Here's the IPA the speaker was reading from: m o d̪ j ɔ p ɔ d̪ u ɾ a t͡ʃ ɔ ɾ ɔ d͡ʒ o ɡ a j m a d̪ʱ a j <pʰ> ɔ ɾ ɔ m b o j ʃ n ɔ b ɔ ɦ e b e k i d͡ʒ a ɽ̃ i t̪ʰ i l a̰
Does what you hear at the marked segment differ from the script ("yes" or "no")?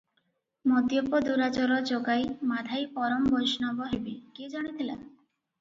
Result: yes